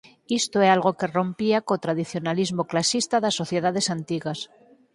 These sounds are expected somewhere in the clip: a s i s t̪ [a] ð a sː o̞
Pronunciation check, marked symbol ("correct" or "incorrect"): correct